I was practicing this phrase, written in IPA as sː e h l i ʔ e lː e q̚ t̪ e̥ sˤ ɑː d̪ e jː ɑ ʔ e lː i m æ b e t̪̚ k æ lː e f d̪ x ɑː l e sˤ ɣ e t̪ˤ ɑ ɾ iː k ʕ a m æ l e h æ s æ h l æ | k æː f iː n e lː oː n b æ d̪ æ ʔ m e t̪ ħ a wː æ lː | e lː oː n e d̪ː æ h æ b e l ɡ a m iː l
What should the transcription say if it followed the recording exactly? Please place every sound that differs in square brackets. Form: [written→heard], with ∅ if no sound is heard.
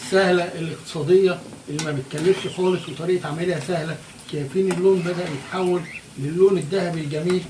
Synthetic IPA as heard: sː [e→æ] h l [i→æ] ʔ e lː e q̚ t̪ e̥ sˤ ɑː d̪ e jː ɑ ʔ e lː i m æ b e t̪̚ k æ lː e f [d̪→t̪] x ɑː l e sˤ [ɣ→w] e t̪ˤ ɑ ɾ iː [k→ʔ] ʕ a m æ l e h æ s æ h l æ | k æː f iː n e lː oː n b æ d̪ æ ʔ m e t̪ ħ a wː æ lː | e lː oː n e d̪ː æ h æ b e l ɡ [a→æ] m iː l